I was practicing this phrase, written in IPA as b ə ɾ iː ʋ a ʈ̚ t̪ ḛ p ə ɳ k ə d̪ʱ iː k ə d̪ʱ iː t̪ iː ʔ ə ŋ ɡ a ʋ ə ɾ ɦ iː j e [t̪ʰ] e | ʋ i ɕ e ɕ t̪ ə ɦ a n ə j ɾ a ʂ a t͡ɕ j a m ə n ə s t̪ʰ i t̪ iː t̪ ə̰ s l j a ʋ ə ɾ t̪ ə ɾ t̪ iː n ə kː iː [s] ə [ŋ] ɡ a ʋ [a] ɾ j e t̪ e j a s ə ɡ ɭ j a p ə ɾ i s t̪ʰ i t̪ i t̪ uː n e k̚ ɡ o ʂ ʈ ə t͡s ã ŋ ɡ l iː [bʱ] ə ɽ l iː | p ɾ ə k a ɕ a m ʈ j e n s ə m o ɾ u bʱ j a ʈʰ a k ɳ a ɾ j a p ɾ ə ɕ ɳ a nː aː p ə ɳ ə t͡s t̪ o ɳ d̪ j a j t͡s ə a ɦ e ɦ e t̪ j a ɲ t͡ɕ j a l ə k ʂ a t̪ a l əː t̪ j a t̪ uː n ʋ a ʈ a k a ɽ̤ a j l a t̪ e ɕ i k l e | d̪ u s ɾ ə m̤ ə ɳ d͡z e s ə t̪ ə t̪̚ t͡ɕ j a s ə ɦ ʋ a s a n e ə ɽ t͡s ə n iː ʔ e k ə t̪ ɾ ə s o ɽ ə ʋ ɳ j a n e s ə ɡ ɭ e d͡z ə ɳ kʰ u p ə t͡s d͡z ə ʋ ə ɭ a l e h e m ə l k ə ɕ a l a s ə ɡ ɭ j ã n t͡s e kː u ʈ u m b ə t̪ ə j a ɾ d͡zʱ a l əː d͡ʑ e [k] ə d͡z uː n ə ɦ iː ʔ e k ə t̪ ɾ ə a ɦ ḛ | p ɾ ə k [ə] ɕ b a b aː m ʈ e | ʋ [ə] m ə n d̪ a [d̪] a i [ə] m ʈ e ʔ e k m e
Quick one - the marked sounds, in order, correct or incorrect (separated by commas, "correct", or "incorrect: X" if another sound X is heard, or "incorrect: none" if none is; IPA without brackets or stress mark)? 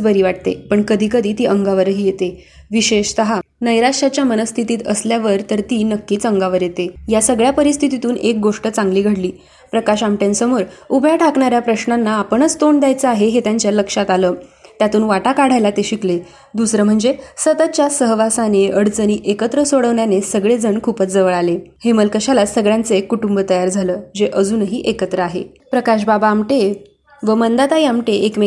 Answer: incorrect: t̪, incorrect: t͡s, correct, incorrect: ə, incorrect: ɡʱ, incorrect: ʔ, incorrect: a, correct, incorrect: t̪, incorrect: a